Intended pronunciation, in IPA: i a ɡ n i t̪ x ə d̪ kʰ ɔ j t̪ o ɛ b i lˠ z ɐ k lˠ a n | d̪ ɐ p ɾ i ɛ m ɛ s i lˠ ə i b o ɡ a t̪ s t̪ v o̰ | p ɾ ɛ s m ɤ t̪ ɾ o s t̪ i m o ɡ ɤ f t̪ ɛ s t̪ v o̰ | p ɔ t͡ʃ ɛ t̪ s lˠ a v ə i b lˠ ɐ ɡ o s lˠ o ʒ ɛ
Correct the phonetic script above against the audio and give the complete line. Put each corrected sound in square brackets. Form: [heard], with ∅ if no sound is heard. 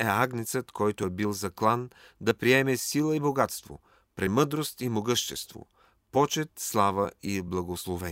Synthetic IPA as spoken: [ɛ] a ɡ n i t̪ [s] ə [t̪] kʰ ɔ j t̪ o ɛ b i lˠ z ɐ k lˠ a n | d̪ ɐ p ɾ i ɛ m ɛ s i lˠ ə i b o ɡ a t̪ s t̪ v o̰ | p ɾ ɛ [∅] m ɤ [d̪] ɾ o s t̪ i m o ɡ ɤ [ʃ] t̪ ɛ s t̪ v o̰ | p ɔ t͡ʃ ɛ t̪ s lˠ a v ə i b lˠ ɐ ɡ o s lˠ o [v] ɛ